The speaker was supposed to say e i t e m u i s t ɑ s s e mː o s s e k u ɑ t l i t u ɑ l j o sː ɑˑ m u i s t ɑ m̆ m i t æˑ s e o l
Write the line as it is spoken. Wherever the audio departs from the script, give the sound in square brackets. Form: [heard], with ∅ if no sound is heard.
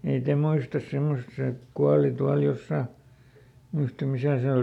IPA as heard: e i t e m u i s t ɑ s s e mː o s s e k u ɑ [∅] l i t u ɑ l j o sː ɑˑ m u i s t ɑ m̆ m i [s] æˑ s e o l